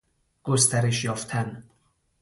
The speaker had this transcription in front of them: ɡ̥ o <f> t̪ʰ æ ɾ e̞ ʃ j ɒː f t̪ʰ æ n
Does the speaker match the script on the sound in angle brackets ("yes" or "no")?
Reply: no